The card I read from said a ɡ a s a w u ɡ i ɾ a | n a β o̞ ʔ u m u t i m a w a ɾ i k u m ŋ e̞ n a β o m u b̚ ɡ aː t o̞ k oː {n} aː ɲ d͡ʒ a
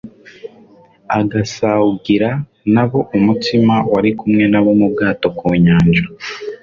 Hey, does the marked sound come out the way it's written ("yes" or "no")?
no